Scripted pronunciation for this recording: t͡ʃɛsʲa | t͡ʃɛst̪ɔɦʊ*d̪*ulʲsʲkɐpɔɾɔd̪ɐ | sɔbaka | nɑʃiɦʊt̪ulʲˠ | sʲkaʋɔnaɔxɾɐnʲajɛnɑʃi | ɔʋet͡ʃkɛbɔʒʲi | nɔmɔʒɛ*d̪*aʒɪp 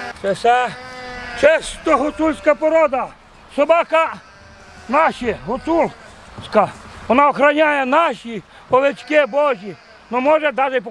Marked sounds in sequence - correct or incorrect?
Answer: incorrect, correct

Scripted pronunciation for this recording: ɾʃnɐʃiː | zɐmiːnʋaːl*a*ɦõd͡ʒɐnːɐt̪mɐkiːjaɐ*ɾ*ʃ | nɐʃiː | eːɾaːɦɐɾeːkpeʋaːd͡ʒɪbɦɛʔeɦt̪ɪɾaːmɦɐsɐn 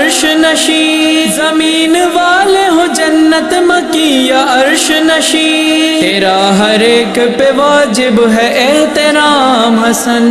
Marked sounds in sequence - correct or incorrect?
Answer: incorrect, correct

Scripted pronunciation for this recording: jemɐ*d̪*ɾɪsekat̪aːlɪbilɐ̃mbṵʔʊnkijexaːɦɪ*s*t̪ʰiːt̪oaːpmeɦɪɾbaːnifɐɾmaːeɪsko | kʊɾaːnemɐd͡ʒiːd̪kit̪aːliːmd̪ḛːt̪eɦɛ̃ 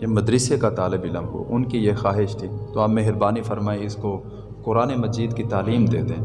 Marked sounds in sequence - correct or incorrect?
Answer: correct, incorrect

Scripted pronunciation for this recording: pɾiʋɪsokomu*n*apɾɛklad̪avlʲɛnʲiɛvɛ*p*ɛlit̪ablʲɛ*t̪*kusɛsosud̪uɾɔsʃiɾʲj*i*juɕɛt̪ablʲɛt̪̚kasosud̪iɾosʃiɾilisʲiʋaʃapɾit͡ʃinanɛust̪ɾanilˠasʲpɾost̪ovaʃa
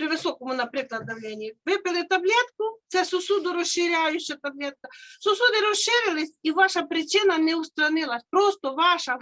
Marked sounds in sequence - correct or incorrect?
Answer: correct, correct, correct, incorrect

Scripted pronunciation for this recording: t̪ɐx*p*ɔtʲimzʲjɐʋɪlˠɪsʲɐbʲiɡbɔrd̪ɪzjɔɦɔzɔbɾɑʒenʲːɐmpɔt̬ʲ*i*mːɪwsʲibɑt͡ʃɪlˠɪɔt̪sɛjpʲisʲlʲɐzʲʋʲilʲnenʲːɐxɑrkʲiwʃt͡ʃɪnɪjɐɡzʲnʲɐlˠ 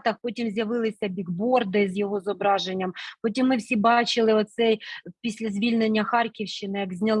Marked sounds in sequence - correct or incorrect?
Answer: correct, correct

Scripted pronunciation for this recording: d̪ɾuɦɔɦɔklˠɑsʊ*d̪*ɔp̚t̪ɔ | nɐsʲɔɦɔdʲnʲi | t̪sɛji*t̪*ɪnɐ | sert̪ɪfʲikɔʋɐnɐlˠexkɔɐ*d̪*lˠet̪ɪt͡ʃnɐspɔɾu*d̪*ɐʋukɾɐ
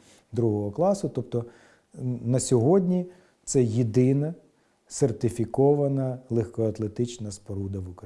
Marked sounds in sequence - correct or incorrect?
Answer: incorrect, incorrect, incorrect, correct

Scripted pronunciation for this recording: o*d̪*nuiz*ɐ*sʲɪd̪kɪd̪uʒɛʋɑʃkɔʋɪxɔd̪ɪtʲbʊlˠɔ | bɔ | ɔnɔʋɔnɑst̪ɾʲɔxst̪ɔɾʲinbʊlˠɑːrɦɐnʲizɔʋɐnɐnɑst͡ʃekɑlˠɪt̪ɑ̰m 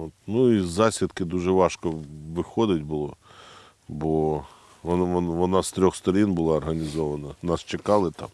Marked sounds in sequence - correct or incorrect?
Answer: incorrect, incorrect

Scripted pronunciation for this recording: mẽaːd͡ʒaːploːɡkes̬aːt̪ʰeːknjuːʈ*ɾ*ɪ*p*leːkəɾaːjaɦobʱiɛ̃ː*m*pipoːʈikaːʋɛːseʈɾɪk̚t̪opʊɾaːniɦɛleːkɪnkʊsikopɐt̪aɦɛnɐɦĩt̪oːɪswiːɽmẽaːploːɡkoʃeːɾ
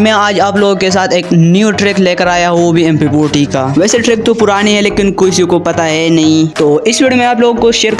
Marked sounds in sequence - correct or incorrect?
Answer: correct, incorrect, correct

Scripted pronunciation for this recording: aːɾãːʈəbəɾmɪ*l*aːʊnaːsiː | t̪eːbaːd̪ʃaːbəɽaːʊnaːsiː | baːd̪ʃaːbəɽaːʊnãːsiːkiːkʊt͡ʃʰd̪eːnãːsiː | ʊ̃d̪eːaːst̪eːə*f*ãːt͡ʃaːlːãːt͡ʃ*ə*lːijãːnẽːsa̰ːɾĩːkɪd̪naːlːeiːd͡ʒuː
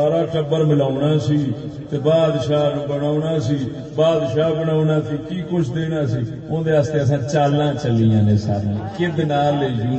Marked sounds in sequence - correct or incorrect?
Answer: correct, incorrect, correct

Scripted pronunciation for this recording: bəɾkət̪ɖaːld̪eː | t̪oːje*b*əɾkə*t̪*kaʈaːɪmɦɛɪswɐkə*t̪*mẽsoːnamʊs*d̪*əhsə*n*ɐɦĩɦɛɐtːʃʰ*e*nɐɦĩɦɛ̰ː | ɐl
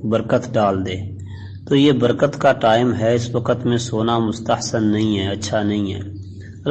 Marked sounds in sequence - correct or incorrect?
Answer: correct, correct, correct, incorrect, incorrect, incorrect

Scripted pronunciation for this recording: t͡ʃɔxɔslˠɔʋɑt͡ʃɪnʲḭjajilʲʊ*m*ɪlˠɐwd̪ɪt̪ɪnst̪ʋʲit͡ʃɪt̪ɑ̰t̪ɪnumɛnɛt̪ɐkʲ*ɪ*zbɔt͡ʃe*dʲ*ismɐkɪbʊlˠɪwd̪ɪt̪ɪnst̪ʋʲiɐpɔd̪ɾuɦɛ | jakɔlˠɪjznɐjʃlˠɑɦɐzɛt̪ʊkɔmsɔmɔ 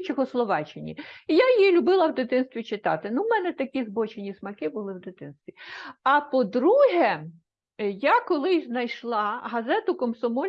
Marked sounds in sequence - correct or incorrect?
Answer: incorrect, incorrect, incorrect

